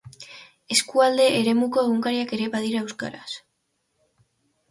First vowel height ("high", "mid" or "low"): mid